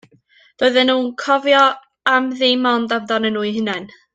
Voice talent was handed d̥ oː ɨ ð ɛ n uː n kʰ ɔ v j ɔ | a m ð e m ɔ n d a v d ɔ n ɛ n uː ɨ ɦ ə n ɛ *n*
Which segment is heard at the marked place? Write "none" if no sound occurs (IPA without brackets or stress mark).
n